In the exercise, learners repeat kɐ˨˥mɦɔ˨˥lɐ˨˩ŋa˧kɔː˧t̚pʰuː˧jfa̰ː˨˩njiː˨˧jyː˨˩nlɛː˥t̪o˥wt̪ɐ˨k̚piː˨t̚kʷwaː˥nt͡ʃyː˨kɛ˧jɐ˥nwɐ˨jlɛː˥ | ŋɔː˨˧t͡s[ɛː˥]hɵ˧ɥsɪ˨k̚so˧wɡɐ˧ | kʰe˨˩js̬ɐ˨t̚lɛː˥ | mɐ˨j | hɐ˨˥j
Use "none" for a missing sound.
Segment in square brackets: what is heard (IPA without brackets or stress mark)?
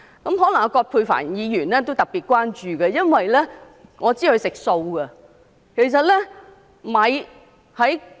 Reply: iː˥